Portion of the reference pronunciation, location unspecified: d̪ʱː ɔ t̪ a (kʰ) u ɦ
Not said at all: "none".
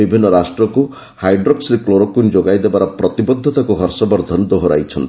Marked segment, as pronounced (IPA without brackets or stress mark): k